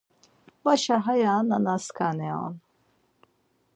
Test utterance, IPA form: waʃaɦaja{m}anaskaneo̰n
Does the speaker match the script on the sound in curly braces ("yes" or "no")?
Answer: no